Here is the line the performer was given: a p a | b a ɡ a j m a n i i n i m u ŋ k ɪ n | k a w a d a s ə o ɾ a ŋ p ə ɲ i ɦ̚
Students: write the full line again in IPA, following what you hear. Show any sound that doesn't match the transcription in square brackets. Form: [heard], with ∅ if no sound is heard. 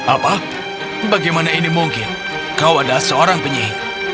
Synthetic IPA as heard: a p a | b a ɡ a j m a n [a] i n i m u ŋ k ɪ n | k a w a d a s ə o ɾ a ŋ p ə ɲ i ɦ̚